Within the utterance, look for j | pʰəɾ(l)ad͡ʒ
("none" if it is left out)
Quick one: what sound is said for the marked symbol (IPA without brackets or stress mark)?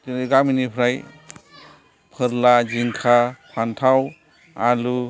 l